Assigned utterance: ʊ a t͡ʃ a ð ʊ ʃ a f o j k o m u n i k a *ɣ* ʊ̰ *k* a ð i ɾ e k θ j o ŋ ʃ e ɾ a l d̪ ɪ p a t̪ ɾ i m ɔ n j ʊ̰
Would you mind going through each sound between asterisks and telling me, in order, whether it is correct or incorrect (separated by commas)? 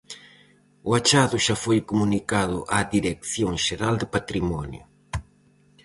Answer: incorrect, incorrect